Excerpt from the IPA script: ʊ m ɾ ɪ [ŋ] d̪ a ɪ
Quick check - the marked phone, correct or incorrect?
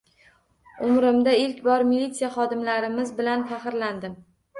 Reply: incorrect